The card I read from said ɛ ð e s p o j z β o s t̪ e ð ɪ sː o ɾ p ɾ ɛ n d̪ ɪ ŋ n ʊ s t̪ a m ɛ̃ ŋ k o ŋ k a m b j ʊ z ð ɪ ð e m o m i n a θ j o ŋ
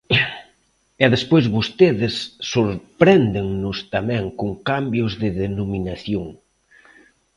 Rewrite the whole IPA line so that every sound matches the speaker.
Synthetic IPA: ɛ ð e s p o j z β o s t̪ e ð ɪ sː o ɾ p ɾ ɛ n d̪ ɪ ŋ n ʊ s t̪ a m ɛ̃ ŋ k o ŋ k a m b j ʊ z ð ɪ ð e n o m i n a θ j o ŋ